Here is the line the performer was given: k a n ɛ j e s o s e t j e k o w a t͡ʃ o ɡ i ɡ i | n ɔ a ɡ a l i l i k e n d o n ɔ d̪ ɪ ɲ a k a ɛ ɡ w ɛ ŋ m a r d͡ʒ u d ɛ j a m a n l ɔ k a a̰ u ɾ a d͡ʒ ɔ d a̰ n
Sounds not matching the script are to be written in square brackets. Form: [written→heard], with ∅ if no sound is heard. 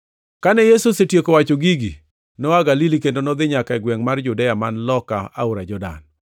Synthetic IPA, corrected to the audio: k a n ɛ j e s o s e t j e k o w a t͡ʃ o ɡ i ɡ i | n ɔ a ɡ a l i l i k e n d o n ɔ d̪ ɪ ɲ a k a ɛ ɡ w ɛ ŋ m a r d͡ʒ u d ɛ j a m a n l ɔ k a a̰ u ɾ a d͡ʒ ɔ d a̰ n